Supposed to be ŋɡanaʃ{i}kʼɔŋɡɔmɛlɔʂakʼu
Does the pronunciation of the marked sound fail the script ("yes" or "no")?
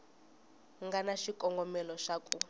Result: no